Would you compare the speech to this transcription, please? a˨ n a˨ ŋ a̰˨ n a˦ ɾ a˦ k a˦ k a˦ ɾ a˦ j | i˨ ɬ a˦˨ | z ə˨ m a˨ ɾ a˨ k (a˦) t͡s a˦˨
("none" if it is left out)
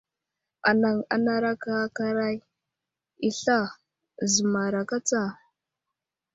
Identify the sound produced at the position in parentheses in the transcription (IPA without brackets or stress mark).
a˦